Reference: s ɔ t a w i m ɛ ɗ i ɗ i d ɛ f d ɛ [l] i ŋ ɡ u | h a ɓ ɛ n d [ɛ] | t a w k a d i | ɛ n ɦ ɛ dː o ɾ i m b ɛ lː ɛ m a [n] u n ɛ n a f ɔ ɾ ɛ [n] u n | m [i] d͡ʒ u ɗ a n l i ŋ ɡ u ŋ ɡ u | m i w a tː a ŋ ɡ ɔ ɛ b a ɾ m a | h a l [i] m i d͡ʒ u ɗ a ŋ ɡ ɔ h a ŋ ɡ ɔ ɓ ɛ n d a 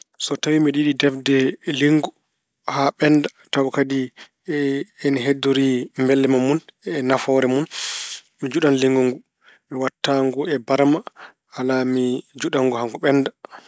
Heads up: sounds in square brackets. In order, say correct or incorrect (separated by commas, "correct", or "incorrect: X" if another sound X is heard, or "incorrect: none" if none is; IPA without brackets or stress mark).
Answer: correct, incorrect: a, incorrect: m, incorrect: m, correct, incorrect: a